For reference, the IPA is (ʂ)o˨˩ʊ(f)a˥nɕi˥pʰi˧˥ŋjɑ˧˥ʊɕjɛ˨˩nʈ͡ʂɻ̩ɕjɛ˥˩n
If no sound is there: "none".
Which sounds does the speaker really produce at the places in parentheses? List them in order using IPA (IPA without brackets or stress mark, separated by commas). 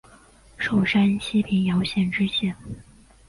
ʂ, ʂ